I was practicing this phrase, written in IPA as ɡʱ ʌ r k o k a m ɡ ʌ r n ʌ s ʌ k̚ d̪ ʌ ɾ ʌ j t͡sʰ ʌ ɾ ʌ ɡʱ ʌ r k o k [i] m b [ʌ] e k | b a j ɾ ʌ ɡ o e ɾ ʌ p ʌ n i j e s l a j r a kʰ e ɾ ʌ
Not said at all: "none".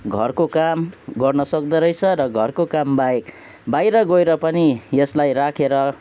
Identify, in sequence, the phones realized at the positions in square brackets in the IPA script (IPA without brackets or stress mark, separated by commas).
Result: a, a